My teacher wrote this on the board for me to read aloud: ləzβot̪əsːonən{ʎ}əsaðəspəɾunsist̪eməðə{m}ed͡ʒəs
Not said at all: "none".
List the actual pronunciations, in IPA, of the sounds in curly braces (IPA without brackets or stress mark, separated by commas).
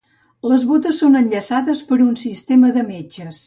ʎ, m